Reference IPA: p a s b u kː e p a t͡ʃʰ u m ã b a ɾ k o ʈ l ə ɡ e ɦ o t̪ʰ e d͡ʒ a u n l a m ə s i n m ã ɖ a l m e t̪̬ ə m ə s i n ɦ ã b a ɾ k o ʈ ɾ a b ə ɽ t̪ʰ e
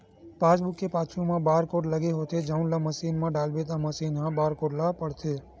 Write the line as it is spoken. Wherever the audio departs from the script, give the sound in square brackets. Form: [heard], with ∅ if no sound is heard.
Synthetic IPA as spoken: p a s b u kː e p a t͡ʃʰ u m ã b a ɾ k o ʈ l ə ɡ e ɦ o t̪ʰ e d͡ʒ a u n l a m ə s i n m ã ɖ a l [b] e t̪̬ [a] m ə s i n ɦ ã b a ɾ k o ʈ [l] a [p] ə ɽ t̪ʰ e